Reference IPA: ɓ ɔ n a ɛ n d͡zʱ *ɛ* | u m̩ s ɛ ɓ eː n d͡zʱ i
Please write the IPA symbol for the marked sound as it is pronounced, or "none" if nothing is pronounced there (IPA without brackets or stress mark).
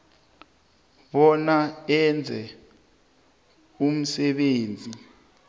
ɛ